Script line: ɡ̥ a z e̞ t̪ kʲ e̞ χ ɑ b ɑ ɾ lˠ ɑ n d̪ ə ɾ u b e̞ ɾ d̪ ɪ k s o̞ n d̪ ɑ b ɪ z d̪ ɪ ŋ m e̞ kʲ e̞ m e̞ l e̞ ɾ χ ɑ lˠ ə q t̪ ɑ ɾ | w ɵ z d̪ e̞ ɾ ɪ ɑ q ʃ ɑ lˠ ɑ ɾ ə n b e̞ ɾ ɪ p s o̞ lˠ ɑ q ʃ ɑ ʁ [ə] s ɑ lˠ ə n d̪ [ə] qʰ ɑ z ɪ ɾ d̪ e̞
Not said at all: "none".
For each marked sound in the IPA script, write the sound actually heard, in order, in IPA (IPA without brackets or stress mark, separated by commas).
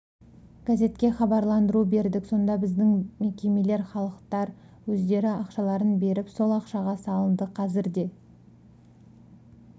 ɑ, ə